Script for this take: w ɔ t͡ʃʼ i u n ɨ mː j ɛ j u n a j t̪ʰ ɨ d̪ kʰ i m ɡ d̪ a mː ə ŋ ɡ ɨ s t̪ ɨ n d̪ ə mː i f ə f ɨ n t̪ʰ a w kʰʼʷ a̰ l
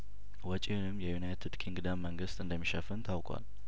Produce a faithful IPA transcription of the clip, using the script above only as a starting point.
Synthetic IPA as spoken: w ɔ t͡ʃʼ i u n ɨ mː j ɛ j u n a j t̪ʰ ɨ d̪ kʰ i ŋ ɡ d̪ a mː ə ŋ ɡ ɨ s t̪ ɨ n d̪ ə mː i ʃ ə f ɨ n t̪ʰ a w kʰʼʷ a̰ l